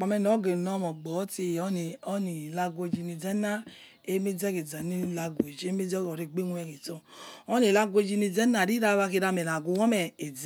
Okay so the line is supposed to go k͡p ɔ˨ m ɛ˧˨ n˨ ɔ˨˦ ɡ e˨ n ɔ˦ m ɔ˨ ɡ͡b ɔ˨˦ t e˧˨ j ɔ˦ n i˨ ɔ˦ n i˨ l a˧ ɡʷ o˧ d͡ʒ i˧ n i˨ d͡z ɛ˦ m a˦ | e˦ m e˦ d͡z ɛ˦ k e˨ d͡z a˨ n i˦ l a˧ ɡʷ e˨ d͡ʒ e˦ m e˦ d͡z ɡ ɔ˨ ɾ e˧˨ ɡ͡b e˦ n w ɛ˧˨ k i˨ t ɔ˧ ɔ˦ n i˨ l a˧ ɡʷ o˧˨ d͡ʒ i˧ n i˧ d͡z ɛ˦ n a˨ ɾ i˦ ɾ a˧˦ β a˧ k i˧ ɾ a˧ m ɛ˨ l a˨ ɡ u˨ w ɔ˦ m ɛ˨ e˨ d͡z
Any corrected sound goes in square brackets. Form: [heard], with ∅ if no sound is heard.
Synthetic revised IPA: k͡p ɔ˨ m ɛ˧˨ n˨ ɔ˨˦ ɡ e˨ n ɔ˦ m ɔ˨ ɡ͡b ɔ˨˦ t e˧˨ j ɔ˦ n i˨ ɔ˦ n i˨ l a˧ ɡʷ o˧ d͡ʒ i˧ n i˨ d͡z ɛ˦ [n] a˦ | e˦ m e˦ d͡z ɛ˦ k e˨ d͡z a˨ n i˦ l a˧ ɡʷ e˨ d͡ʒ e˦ m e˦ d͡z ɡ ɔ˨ ɾ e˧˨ ɡ͡b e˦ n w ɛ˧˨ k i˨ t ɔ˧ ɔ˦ n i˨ l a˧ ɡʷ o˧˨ d͡ʒ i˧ n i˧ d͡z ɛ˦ n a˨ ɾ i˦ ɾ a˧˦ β a˧ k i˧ ɾ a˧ m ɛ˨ l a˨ ɡ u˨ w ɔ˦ m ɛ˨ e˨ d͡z